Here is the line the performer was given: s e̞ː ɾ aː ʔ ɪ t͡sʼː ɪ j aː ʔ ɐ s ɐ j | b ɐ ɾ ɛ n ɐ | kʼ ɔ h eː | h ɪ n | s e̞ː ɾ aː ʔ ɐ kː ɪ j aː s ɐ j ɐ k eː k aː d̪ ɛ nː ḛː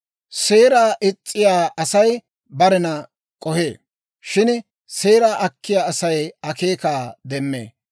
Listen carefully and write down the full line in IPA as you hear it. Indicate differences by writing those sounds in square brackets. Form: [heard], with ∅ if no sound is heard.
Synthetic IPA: s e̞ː ɾ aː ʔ ɪ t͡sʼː ɪ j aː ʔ ɐ s ɐ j | b ɐ ɾ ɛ n ɐ | kʼ ɔ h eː | [ʃ] ɪ n | s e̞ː ɾ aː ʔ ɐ kː ɪ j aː s ɐ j ɐ k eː k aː d̪ ɛ [mː] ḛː

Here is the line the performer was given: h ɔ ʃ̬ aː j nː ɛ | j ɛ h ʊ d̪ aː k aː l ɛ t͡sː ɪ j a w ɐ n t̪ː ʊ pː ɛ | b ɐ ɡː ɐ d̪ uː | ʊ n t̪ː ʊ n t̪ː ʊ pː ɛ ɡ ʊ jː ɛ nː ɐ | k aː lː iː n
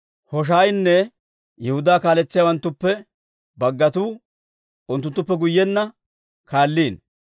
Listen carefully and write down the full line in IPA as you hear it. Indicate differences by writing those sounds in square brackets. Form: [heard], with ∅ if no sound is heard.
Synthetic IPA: h ɔ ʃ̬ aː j nː ɛ | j ɛ h ʊ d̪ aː k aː l ɛ t͡sː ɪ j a w ɐ n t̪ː ʊ pː ɛ | b ɐ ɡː ɐ [t̪] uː | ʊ n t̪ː ʊ n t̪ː ʊ pː ɛ ɡ ʊ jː ɛ nː ɐ | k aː lː iː n

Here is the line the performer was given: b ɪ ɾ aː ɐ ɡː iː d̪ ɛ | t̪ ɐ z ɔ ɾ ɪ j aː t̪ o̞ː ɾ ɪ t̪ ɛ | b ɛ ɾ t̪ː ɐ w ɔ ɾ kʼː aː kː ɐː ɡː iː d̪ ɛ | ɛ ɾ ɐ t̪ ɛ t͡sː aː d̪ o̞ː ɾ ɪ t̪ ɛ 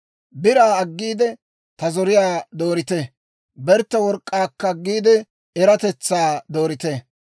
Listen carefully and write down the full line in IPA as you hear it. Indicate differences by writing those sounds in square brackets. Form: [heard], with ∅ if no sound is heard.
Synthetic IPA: b ɪ ɾ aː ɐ ɡː iː d̪ ɛ | t̪ ɐ z ɔ ɾ ɪ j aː [d̪] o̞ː ɾ ɪ t̪ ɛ | b ɛ ɾ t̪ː ɐ w ɔ ɾ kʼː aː kː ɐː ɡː iː d̪ ɛ | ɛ ɾ ɐ t̪ ɛ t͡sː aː d̪ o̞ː ɾ ɪ t̪ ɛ

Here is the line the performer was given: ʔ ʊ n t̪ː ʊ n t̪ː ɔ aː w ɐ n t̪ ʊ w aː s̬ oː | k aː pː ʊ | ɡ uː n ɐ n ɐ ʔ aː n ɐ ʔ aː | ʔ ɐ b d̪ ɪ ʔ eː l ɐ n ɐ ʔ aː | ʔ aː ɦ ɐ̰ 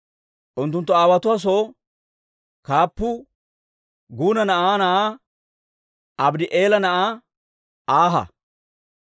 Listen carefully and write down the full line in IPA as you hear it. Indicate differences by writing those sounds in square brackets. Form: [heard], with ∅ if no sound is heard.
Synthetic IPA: ʔ ʊ n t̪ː ʊ n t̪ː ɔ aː w ɐ [∅] t̪ ʊ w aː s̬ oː | k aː pː ʊ | ɡ uː n ɐ n ɐ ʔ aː n ɐ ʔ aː | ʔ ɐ b d̪ ɪ ʔ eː l ɐ n ɐ ʔ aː | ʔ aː ɦ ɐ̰

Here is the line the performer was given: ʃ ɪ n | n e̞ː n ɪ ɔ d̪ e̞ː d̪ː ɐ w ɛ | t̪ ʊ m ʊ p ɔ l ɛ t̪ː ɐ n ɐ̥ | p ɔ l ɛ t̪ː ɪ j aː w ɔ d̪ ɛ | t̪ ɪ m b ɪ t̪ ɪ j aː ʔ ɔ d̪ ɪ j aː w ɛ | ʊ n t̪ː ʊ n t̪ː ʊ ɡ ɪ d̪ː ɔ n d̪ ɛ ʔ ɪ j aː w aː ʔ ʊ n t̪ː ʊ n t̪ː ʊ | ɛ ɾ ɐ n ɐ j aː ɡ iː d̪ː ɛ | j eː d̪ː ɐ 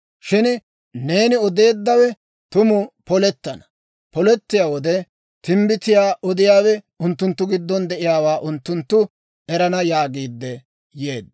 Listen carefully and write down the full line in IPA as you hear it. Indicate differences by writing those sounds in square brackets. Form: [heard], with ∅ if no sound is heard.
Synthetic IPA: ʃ ɪ n | n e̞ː n ɪ ɔ d̪ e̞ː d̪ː ɐ w ɛ | t̪ ʊ m ʊ p ɔ l ɛ t̪ː ɐ n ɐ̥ | p ɔ l ɛ t̪ː ɪ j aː w ɔ d̪ ɛ | t̪ ɪ m b ɪ t̪ ɪ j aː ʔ ɔ d̪ ɪ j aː w ɛ | ʊ n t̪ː ʊ n t̪ː ʊ ɡ ɪ d̪ː ɔ n d̪ ɛ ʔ ɪ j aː w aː ʔ ʊ n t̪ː ʊ n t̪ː ʊ | ɛ ɾ ɐ n ɐ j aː ɡ iː d̪ː ɛ | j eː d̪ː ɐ

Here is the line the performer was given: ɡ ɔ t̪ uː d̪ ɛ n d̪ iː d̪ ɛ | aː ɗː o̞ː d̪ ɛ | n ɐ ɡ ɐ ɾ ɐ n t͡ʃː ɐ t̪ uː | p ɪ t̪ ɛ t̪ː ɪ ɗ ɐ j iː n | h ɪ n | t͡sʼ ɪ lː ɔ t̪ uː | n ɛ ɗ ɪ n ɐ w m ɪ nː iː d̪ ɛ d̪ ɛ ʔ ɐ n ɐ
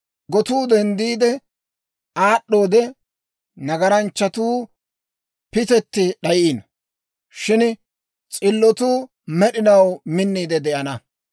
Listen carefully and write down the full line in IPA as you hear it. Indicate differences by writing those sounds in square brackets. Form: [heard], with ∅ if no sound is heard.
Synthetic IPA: ɡ ɔ t̪ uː d̪ ɛ n d̪ iː d̪ ɛ | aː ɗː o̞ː d̪ ɛ | n ɐ ɡ ɐ ɾ ɐ n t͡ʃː ɐ t̪ uː | p ɪ t̪ ɛ t̪ː ɪ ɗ ɐ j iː n | [ʃ] ɪ n | t͡sʼ ɪ lː ɔ t̪ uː | [m] ɛ ɗ ɪ n ɐ w m ɪ nː iː d̪ ɛ d̪ ɛ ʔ ɐ n ɐ

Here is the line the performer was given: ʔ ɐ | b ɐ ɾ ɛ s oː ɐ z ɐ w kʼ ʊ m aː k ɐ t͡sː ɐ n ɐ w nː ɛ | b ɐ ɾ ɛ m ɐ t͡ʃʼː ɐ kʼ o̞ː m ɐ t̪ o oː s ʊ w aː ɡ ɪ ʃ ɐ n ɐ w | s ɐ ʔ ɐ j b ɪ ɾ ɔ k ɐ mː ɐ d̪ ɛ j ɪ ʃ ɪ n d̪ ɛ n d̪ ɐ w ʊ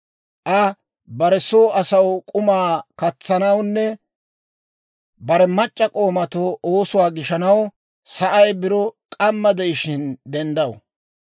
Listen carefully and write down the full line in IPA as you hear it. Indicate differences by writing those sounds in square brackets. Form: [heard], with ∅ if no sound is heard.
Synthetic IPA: ʔ ɐ | b ɐ ɾ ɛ s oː ɐ [s] ɐ w kʼ ʊ m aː k ɐ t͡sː ɐ n ɐ w nː ɛ | b ɐ ɾ ɛ m ɐ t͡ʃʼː ɐ kʼ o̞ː m ɐ t̪ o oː s ʊ w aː ɡ ɪ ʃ ɐ n ɐ w | s ɐ ʔ ɐ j b ɪ ɾ ɔ [kʼ] ɐ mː ɐ d̪ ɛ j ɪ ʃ ɪ n d̪ ɛ n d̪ ɐ w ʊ

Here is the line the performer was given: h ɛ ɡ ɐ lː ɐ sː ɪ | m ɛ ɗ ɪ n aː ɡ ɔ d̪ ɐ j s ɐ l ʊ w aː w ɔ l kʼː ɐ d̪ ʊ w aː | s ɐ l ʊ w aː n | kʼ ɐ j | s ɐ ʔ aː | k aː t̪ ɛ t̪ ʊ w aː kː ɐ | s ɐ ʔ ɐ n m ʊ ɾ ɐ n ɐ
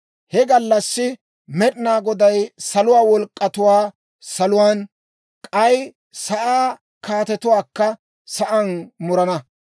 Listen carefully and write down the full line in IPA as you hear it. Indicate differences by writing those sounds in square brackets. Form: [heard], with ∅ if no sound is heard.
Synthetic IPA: h ɛ ɡ ɐ lː ɐ sː ɪ | m ɛ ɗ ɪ n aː ɡ ɔ d̪ ɐ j s ɐ l ʊ w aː w ɔ l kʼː ɐ [t̪] ʊ w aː | s ɐ l ʊ w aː n | kʼ ɐ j | s ɐ ʔ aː | k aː t̪ ɛ t̪ ʊ w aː kː ɐ | s ɐ ʔ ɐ n m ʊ ɾ ɐ n ɐ

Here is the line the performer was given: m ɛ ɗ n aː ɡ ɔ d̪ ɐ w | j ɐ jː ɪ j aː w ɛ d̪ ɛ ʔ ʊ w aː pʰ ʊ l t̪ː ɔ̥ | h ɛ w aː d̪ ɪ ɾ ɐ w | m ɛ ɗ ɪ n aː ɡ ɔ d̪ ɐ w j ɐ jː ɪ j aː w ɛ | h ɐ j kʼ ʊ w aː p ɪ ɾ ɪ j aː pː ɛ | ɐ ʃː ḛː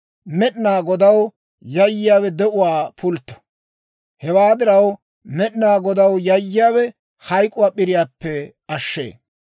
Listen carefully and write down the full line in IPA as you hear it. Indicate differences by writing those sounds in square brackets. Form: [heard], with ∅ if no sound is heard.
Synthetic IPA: m ɛ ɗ n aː ɡ ɔ d̪ ɐ w | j ɐ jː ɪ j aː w ɛ d̪ ɛ ʔ ʊ w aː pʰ ʊ l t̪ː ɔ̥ | h ɛ w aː d̪ ɪ ɾ ɐ w | m ɛ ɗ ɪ n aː ɡ ɔ d̪ ɐ w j ɐ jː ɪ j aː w ɛ | h ɐ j kʼ ʊ w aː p ɪ ɾ ɪ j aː pː ɛ | ɐ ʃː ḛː

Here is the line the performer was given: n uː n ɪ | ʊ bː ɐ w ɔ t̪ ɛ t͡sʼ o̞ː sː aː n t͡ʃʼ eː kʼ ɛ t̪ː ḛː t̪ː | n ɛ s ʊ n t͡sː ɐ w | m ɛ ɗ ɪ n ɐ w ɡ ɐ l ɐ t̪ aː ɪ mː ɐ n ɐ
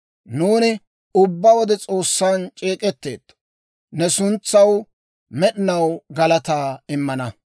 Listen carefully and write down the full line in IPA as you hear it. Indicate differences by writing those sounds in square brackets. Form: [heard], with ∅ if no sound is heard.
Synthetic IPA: n uː n ɪ | ʊ bː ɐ w ɔ [d̪] ɛ t͡sʼ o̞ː sː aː n t͡ʃʼ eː kʼ ɛ t̪ː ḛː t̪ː | n ɛ s ʊ n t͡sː ɐ w | m ɛ ɗ ɪ n ɐ w ɡ ɐ l ɐ t̪ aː ɪ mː ɐ n ɐ

